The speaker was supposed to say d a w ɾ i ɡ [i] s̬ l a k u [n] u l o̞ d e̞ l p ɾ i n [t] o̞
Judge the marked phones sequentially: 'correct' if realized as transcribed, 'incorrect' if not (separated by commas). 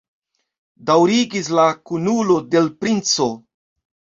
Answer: correct, correct, incorrect